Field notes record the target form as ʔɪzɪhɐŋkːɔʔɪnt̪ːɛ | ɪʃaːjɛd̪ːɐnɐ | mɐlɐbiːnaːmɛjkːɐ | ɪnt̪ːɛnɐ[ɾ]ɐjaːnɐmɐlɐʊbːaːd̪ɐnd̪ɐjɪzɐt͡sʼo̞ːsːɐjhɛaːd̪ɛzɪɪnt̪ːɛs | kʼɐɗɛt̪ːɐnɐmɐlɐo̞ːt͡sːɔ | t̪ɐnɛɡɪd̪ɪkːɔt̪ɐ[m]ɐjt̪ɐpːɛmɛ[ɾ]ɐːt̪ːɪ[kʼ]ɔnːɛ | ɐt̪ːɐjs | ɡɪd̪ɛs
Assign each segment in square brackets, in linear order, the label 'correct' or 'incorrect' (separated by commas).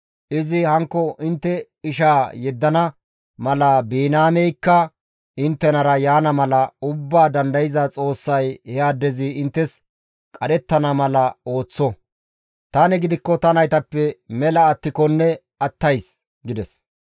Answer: correct, incorrect, incorrect, incorrect